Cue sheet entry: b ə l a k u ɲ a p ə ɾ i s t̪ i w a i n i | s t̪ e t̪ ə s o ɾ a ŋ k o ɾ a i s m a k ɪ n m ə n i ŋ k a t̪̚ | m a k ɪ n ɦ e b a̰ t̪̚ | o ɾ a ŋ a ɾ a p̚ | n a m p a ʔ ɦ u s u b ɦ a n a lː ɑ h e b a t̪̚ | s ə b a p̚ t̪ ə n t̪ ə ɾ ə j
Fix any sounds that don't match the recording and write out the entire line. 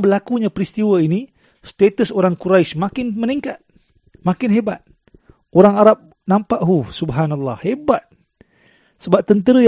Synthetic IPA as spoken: b ə l a k u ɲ a p ə ɾ i s t̪ i w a i n i | s t̪ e t̪ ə s o ɾ a ŋ k u ɾ a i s m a k ɪ n m ə n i ŋ k a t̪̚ | m a k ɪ n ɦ e b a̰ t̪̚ | o ɾ a ŋ a ɾ a p̚ | n a m p a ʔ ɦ u s u b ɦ a n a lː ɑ h e b a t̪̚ | s ə b a p̚ t̪ ə n t̪ ə ɾ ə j